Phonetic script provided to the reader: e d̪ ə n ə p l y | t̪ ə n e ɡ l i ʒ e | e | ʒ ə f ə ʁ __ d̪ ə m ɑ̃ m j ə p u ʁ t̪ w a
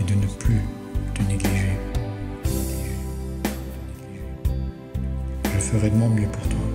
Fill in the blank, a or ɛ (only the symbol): ɛ